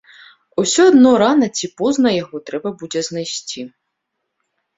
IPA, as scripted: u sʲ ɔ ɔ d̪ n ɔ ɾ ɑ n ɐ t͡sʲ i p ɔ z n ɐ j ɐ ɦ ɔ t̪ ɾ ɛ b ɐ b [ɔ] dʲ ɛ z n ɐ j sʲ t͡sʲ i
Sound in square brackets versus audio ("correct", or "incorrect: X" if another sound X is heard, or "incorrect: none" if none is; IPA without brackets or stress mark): incorrect: u